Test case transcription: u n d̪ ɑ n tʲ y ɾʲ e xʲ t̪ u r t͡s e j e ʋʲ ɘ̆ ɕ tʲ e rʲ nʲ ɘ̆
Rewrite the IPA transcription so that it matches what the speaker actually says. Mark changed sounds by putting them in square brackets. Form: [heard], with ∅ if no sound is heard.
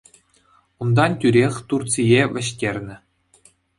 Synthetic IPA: u n d̪ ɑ n tʲ y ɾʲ e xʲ t̪ u r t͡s [i] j e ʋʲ ɘ̆ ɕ tʲ e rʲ nʲ ɘ̆